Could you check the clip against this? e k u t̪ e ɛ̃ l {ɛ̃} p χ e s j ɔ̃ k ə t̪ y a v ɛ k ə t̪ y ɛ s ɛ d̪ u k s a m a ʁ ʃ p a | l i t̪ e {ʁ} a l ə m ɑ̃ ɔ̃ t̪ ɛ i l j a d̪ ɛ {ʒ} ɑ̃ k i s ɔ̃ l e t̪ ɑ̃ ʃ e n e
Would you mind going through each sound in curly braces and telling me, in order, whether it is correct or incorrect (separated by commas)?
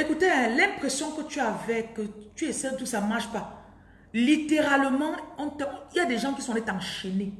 correct, correct, correct